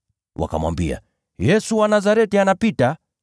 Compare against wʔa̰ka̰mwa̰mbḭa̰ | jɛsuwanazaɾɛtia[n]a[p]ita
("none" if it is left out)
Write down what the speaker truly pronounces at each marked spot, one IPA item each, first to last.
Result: n, p

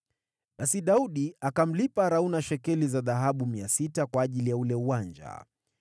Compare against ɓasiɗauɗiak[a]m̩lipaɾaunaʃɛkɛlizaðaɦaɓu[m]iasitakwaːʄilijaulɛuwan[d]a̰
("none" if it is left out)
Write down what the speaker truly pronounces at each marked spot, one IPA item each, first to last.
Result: a, m, d͡ʒ

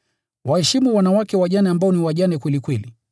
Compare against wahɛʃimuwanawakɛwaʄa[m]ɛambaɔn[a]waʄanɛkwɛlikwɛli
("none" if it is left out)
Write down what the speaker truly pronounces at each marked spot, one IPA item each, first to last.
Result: n, i

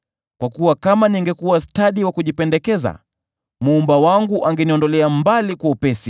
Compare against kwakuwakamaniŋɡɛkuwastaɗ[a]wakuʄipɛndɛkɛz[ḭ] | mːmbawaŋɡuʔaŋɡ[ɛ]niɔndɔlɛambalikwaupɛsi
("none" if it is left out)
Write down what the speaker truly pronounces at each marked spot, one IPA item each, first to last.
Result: i, a̰, ɛ

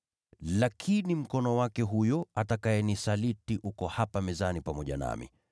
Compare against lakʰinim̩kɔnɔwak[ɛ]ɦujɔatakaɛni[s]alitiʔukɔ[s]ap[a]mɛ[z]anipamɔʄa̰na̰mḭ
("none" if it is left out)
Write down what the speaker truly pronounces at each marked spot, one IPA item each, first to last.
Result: ɛ, s, h, a, z

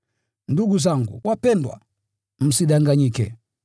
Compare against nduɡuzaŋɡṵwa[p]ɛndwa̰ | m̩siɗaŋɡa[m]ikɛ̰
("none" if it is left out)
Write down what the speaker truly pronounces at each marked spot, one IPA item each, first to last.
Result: p, ɲ

